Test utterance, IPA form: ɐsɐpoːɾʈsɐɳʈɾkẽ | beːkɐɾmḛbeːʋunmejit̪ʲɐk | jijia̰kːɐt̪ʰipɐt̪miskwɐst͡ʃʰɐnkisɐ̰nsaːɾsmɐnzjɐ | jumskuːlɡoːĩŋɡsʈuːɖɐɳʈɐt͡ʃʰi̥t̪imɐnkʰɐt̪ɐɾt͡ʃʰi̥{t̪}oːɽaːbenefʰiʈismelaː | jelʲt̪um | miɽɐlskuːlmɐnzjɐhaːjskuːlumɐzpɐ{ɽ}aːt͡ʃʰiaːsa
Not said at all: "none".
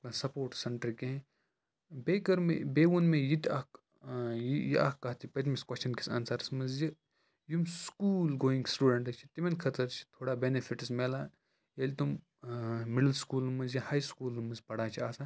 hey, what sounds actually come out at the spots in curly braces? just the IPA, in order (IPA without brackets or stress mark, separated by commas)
t̪ʰ, ɽ